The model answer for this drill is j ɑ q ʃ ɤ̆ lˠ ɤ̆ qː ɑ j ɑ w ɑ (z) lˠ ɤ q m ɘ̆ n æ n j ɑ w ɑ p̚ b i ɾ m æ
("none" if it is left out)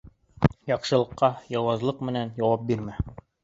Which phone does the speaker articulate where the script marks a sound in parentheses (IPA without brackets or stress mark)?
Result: z